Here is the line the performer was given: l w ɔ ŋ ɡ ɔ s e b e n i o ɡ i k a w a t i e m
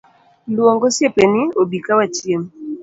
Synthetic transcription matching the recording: l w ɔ ŋ ɡ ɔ s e p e n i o b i k a w a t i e m